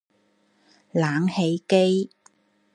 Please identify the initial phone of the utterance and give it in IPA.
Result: l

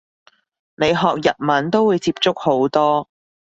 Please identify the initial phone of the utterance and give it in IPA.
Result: n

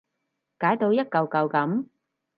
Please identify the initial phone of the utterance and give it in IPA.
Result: k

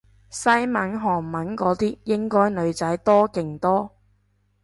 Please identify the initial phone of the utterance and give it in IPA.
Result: s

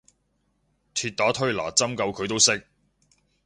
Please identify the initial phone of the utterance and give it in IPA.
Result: t̪ʰ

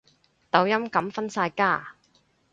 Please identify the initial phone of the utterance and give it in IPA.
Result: t̪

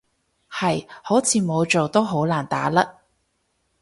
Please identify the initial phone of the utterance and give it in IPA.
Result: h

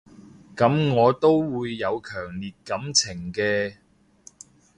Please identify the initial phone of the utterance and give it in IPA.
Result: k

